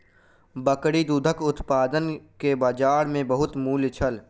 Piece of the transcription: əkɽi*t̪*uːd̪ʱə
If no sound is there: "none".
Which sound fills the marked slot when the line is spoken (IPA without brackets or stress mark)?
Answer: d̪